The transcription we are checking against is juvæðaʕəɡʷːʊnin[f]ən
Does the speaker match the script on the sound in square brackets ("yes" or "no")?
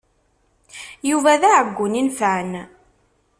yes